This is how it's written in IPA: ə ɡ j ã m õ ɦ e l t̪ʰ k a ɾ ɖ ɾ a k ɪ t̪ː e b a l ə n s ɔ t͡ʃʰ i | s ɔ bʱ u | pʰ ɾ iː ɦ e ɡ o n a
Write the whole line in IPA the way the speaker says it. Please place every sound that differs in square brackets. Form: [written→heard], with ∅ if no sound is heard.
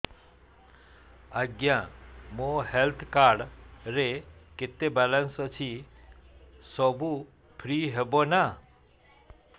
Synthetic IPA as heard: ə ɡ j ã m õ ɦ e l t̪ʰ k a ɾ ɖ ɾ [a→e] k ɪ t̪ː e b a l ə n s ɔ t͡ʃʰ i | s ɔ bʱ u | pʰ ɾ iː ɦ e [ɡ→b] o n a